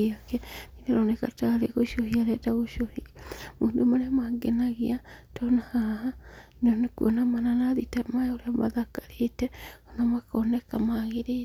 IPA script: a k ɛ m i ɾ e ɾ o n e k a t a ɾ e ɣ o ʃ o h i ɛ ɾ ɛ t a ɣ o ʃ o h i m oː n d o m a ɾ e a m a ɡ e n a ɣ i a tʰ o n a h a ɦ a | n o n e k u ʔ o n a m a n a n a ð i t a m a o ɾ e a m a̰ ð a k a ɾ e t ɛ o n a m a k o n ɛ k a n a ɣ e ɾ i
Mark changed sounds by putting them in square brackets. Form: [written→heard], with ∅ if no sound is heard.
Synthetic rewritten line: a k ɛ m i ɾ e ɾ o n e k a t a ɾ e ɣ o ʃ o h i [ɛ→a] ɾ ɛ t a ɣ o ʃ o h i m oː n d o m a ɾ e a m a ɡ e n a ɣ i a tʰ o n a h a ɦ a | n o n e k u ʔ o n a m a n a n a ð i t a m a o ɾ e a m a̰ ð a k a ɾ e t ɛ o n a m a k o n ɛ k a [n→m] a ɣ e ɾ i